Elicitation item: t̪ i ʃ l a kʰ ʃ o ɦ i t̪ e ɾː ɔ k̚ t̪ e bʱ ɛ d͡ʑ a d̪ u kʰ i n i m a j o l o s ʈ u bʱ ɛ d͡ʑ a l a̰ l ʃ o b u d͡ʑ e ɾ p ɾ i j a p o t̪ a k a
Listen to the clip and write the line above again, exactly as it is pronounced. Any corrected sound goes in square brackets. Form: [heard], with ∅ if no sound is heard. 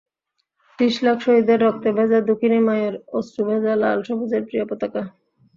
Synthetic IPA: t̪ i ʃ l a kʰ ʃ o ɦ i [d̪] e ɾː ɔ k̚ t̪ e bʱ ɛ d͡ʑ a d̪ u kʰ i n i m a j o [ɾ] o s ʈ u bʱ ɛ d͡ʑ a l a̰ l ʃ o b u d͡ʑ e ɾ p ɾ i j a p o t̪ a k a